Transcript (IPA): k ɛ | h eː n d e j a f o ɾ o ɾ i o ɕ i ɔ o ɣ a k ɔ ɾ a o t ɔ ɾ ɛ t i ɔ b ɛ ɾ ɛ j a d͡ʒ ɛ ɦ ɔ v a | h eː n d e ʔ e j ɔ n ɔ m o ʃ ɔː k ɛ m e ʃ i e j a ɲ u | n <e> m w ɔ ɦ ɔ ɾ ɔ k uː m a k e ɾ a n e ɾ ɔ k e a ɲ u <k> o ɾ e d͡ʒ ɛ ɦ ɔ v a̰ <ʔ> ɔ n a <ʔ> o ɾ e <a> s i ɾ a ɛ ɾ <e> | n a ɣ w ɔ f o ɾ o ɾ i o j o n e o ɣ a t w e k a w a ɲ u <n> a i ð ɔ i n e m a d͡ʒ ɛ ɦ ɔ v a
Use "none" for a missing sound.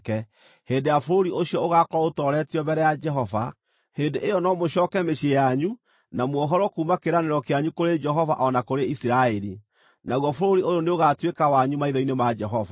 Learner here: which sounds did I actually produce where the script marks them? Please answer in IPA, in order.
a, k, ʔ, k, i, i, m

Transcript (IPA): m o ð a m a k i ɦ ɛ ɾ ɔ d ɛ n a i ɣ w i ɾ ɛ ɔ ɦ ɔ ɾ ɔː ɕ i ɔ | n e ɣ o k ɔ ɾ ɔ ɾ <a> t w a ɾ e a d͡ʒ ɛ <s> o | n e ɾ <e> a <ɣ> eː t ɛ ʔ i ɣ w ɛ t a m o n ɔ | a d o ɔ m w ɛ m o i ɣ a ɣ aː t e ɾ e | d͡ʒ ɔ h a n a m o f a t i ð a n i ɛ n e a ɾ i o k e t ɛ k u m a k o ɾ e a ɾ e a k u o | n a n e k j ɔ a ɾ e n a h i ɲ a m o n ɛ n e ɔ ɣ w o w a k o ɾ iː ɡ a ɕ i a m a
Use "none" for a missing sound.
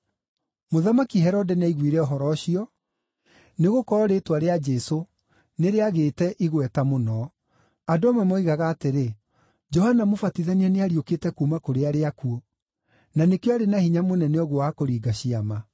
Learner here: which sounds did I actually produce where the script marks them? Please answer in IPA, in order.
e, s, e, ɣ

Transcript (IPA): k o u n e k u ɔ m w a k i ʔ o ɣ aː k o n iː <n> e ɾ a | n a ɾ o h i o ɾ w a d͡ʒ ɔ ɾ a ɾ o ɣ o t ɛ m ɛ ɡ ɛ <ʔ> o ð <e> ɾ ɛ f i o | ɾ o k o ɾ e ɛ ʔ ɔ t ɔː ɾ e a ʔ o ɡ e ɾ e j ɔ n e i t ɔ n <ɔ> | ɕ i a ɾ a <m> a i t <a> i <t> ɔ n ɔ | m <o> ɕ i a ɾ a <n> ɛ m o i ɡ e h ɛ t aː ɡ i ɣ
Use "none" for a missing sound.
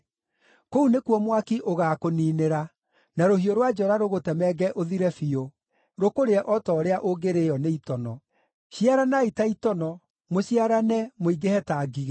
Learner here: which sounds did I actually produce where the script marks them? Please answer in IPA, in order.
n, ʔ, i, ɔ, n, a, t, o, n

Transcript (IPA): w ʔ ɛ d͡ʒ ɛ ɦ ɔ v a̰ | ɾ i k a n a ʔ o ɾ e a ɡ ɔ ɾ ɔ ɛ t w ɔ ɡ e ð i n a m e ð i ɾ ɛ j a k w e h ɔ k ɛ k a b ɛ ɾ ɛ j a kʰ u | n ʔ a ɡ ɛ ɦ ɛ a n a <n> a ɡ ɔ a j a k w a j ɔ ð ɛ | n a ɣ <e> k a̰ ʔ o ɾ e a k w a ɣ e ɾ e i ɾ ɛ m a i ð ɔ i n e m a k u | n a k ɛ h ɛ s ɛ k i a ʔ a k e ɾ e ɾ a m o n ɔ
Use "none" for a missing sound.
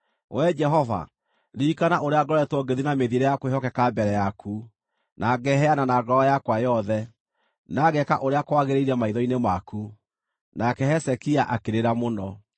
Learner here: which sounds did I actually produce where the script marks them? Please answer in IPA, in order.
n, ɛ

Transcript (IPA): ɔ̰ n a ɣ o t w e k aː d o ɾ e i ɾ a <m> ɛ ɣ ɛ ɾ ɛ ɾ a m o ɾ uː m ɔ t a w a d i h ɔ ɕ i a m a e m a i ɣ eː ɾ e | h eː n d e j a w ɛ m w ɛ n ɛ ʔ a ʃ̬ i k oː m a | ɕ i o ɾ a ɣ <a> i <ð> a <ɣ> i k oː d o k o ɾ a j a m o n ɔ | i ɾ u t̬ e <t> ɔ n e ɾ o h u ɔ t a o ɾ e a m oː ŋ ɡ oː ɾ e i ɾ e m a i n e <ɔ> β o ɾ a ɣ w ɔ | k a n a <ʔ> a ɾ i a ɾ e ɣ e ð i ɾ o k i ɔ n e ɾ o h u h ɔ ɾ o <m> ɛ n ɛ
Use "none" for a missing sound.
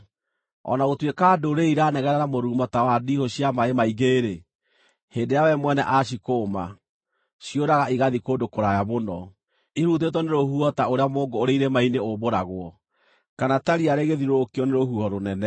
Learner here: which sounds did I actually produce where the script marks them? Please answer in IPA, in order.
n, a, ɣ, ð, t, o, t, n

